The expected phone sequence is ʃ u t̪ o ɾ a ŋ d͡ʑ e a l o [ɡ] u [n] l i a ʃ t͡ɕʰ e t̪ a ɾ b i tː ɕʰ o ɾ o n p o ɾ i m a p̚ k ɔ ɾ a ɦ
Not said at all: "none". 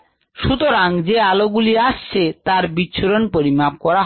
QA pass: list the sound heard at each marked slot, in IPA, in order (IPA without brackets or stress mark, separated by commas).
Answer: ɡ, none